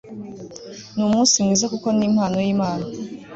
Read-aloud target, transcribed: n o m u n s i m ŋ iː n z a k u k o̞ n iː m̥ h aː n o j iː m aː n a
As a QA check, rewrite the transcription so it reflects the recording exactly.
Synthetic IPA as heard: n u m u n s i m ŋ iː z a k u k o̞ n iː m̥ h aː n o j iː m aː n a

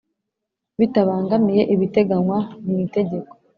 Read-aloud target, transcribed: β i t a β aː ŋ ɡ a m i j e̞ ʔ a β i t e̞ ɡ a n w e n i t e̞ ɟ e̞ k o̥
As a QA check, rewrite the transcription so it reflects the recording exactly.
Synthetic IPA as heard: β i t a β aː ŋ ɡ a m i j e̞ ʔ i β i t e̞ ɡ a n w a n i t e̞ ɟ e̞ k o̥

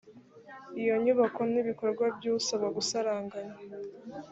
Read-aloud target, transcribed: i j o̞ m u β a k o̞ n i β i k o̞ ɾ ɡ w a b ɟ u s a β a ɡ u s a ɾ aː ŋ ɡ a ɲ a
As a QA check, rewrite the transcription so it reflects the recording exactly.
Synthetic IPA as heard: i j o̞ ɲ u β a k o̞ n i β i k o̞ ɾ ɡ w a b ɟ u s a β a ɡ u s a ɾ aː ŋ ɡ a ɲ a

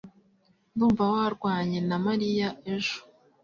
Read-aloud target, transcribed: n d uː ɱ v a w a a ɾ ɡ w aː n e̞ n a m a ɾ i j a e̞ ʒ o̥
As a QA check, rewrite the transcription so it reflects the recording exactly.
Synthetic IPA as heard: n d uː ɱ v a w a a ɾ ɡ w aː ɲ e̞ n a m a ɾ i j a e̞ ʒ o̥

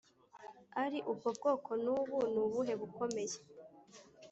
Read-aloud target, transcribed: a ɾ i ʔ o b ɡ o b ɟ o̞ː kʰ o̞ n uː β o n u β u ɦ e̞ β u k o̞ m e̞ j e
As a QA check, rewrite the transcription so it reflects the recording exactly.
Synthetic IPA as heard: a ɾ i ʔ u b ɡ o b ɡ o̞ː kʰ o̞ n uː β u n u β u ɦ e̞ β u k o̞ m e̞ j e

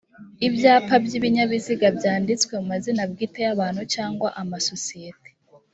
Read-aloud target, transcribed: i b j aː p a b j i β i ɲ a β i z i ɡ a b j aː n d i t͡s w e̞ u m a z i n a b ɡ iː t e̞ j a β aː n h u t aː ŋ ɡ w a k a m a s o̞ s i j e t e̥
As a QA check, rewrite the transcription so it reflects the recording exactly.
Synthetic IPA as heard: i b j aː p a b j i β i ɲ a β i z i ɡ a b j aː n d i t͡s w e̞ u m a z i n a b ɡ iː t e̞ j a β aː n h u t͡ʃ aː ŋ ɡ w a ʔ a m a s o̞ s i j e t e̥

